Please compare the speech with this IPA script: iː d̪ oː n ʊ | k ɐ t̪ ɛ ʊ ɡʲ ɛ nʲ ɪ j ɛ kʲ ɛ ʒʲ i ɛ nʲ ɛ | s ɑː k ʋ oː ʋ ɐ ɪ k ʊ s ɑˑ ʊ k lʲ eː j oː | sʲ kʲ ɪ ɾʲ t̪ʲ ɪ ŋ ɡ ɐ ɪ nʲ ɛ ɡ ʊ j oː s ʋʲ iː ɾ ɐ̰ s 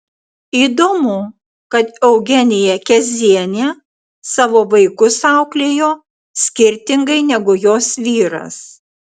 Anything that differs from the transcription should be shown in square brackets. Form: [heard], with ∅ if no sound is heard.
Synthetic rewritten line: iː d̪ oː [m] ʊ | k ɐ t̪ ɛ ʊ ɡʲ ɛ nʲ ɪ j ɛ kʲ ɛ [zʲ] i ɛ nʲ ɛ | s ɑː [∅] ʋ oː ʋ ɐ ɪ k ʊ s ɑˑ ʊ k lʲ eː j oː | sʲ kʲ ɪ ɾʲ t̪ʲ ɪ ŋ ɡ ɐ ɪ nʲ ɛ ɡ ʊ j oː s ʋʲ iː ɾ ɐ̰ s